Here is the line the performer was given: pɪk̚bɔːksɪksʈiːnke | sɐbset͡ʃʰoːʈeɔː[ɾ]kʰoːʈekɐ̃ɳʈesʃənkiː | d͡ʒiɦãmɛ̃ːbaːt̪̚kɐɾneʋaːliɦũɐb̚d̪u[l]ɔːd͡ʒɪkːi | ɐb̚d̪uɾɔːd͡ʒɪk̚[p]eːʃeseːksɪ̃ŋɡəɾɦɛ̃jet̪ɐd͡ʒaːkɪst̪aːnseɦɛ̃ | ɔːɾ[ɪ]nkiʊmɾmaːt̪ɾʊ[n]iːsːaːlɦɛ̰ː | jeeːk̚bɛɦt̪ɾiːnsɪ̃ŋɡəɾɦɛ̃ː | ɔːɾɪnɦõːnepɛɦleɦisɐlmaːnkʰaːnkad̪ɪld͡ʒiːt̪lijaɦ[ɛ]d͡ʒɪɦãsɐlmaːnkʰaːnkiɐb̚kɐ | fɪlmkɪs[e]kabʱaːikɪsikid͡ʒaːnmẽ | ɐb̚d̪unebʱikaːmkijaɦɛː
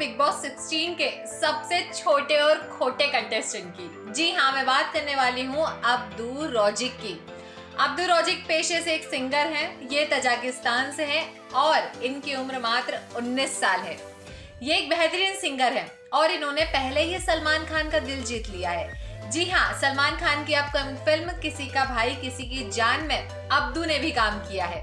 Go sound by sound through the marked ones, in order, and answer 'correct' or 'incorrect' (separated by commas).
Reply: correct, incorrect, correct, correct, incorrect, incorrect, incorrect